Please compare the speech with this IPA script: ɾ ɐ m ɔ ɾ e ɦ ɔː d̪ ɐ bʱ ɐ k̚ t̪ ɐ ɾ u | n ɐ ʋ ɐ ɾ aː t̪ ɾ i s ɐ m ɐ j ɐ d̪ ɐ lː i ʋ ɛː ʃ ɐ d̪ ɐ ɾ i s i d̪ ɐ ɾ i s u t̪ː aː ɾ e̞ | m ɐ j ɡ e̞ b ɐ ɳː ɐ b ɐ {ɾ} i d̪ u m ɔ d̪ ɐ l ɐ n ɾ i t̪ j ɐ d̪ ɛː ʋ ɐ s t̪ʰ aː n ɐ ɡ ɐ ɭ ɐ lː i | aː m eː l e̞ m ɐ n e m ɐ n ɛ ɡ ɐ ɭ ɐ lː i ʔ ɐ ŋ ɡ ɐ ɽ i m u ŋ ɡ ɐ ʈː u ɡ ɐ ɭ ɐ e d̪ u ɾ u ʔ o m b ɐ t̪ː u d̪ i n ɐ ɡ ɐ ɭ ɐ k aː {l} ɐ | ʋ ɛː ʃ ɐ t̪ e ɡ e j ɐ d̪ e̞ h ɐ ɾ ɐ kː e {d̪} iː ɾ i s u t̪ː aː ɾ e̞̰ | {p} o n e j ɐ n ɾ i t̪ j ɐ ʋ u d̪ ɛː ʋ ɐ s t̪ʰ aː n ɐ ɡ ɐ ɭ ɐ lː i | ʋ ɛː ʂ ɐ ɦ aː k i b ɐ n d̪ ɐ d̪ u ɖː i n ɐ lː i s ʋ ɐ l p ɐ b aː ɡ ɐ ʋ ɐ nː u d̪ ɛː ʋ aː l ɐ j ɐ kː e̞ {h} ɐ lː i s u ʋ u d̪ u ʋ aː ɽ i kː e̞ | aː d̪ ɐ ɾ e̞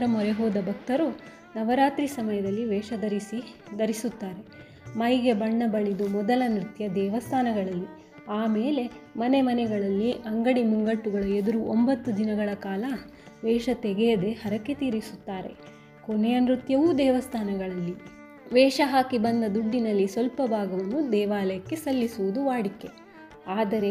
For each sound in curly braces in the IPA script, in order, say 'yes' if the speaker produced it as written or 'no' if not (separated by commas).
no, yes, no, no, no